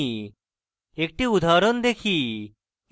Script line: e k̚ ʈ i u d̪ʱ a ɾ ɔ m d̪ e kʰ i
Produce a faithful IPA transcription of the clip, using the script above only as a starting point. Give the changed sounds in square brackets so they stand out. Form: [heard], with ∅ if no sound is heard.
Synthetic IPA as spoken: e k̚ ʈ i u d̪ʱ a ɾ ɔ [n] d̪ e kʰ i